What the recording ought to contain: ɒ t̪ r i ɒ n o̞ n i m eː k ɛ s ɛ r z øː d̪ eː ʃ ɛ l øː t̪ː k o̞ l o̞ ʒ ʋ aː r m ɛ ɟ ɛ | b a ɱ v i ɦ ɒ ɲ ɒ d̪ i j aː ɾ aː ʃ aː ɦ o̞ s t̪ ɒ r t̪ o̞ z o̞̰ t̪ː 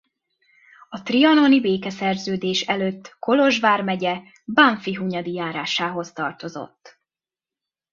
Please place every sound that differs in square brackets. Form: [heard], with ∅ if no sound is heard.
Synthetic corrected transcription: ɒ t̪ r i ɒ n o̞ n i [b] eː k ɛ s ɛ r z øː d̪ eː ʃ ɛ l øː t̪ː k o̞ l o̞ ʒ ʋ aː r m ɛ ɟ ɛ | b a ɱ [f] i ɦ [u] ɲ ɒ d̪ i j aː ɾ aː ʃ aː ɦ o̞ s t̪ ɒ r t̪ o̞ z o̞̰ t̪ː